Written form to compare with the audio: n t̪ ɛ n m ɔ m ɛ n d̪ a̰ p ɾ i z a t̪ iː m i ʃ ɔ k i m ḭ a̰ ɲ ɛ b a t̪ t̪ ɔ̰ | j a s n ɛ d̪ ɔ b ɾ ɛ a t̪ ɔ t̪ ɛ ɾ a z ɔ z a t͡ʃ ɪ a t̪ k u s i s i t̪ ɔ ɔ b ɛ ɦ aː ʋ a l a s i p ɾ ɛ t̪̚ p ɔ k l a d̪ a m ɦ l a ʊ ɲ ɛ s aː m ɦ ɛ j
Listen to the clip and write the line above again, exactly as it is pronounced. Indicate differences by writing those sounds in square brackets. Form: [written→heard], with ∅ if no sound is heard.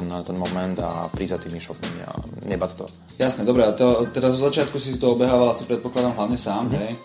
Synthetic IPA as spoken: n t̪ ɛ n m ɔ m ɛ n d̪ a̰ p ɾ i z a t̪ iː m i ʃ ɔ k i m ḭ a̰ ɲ ɛ b a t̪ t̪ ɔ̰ | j a s n ɛ d̪ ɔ b ɾ ɛ a t̪ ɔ t̪ ɛ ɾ a z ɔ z a t͡ʃ ɪ a t̪ k u s i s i t̪ ɔ ɔ b ɛ ɦ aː ʋ a l a s i p ɾ ɛ t̪̚ p ɔ k l a d̪ a m ɦ l a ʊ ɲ ɛ s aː m ɦ ɛ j